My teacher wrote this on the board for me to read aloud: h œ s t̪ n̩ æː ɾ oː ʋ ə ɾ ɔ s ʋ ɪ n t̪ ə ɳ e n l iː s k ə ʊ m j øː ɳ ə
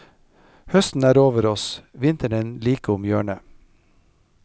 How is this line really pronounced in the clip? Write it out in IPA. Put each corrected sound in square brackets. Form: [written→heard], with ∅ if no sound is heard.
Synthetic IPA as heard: h œ s t̪ n̩ æː ɾ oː ʋ ə ɾ ɔ s ʋ ɪ n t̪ ə ɳ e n l iː [s→∅] k ə ʊ m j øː ɳ ə